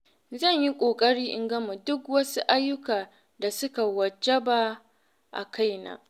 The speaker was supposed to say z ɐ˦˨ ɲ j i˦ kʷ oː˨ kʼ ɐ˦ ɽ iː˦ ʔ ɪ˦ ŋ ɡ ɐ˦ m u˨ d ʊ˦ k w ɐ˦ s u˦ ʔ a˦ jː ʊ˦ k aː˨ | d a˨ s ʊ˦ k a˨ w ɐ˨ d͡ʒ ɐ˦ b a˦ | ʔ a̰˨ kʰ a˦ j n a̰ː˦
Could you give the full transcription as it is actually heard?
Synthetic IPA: z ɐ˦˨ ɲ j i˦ kʷʼ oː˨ kʼ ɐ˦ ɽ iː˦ ʔ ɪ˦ ŋ ɡ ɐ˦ m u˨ d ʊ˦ k w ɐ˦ s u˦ ʔ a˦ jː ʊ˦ k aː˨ | d a˨ s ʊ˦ k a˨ w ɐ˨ d͡ʒ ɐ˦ b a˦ | ʔ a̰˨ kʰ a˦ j n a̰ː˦